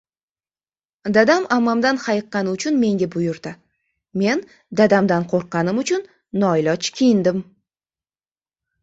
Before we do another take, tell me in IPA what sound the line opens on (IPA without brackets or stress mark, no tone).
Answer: d̪